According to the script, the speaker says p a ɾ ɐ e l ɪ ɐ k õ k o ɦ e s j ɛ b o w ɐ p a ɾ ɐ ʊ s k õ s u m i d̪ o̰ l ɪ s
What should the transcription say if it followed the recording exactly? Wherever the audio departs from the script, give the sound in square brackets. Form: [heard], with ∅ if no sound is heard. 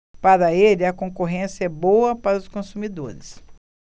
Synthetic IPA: p a ɾ ɐ e l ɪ ɐ k õ k o ɦ [ẽ] s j ɛ b o w ɐ p a ɾ ɐ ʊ s k õ s u m i d̪ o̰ [ɾ] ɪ s